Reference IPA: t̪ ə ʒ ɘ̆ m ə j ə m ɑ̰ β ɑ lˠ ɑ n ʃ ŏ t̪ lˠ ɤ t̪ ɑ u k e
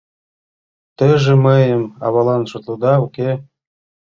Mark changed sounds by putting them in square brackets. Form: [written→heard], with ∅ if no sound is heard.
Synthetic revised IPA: t̪ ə ʒ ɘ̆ m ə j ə m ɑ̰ β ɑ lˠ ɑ n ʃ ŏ t̪ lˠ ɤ [t̪→d̪] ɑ u k e